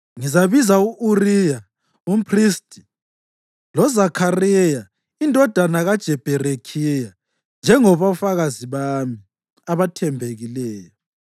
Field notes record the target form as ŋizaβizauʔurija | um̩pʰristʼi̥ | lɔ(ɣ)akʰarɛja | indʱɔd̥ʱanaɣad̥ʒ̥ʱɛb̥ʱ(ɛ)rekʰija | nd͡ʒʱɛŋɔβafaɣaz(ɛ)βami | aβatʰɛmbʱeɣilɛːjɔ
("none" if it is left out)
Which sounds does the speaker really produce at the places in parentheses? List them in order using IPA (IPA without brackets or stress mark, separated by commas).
z, ɛ, i